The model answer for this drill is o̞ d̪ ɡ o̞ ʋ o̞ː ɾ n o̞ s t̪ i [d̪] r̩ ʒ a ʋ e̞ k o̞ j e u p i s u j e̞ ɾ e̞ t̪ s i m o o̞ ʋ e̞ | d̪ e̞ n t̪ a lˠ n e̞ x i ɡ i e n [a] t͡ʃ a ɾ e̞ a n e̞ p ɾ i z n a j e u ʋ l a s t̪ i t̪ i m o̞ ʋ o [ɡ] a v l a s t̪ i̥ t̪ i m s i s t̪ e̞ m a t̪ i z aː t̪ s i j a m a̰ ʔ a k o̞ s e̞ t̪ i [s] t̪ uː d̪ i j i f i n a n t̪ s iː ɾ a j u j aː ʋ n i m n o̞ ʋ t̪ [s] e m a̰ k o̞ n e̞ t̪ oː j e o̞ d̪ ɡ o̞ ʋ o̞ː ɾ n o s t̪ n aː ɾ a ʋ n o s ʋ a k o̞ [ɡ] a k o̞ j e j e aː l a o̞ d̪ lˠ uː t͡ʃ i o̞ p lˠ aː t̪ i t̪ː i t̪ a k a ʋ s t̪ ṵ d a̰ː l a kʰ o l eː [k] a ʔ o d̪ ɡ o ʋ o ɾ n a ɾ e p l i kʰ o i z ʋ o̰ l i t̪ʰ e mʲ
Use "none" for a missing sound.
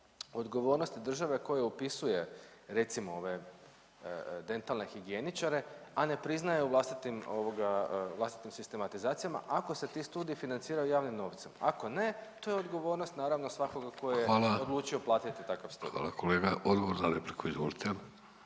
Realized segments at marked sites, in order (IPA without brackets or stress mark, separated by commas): d̪, i, ɡ, s, s, ɡ, ɡ